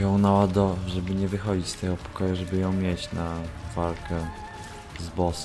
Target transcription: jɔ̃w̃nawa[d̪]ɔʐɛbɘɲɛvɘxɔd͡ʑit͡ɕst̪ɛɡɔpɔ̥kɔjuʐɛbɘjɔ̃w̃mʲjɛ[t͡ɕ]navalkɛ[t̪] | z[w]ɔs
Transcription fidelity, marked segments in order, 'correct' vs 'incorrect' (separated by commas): correct, correct, incorrect, incorrect